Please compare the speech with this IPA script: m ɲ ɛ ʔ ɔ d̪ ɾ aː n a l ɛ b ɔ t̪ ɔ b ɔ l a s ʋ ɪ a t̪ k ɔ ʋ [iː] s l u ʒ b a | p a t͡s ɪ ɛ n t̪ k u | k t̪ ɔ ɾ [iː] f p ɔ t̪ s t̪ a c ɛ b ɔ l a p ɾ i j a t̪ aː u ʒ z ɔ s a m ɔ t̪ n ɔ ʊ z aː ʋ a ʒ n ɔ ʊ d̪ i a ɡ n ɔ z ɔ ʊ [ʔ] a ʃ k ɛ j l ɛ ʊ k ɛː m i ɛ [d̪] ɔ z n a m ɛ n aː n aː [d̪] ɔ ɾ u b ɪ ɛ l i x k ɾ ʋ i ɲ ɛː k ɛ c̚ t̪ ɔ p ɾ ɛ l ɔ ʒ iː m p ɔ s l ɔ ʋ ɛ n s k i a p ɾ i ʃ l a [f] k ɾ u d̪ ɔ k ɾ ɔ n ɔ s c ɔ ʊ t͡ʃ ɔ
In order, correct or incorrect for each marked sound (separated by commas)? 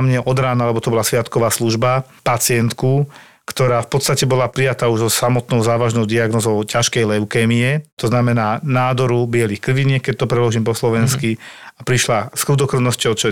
incorrect, incorrect, incorrect, incorrect, correct, incorrect